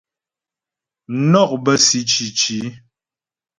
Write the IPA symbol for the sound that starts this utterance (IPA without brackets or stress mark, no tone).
n